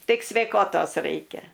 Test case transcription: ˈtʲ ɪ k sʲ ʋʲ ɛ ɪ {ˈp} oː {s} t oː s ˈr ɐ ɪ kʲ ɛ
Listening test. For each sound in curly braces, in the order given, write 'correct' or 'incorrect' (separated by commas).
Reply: incorrect, incorrect